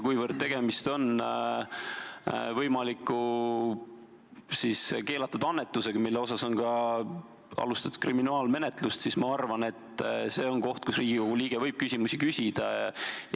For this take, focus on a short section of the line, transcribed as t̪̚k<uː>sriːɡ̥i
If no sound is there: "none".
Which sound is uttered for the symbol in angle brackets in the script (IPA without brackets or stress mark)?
u